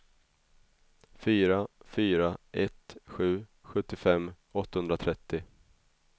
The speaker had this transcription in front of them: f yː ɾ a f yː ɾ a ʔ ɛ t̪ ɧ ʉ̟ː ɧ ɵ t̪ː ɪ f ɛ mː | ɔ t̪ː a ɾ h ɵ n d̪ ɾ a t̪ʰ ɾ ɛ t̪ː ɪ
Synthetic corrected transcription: f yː ɾ a f yː ɾ a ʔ ɛ t̪ ɧ ʉ̟ː ɧ ɵ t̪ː ɪ f ɛ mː | ɔ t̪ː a h ɵ n d̪ ɾ a t̪ʰ ɾ ɛ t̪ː ɪ